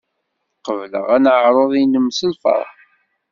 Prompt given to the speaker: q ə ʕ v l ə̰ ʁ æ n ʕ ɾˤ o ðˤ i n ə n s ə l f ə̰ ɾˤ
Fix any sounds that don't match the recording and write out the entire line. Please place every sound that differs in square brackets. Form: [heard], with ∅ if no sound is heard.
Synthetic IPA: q ə [∅] v l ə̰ ʁ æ n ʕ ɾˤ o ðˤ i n ə [m] s ə l f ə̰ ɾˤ